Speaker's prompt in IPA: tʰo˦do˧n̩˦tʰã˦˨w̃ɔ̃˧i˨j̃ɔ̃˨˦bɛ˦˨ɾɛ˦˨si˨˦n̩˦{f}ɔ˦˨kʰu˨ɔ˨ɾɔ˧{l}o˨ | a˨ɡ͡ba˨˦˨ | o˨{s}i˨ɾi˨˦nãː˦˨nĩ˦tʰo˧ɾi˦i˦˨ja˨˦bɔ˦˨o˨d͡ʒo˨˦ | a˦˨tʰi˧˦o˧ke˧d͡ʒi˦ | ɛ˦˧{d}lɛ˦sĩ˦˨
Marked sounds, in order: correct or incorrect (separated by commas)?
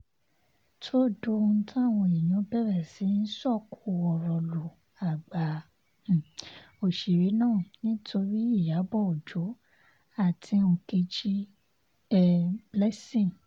incorrect, correct, incorrect, incorrect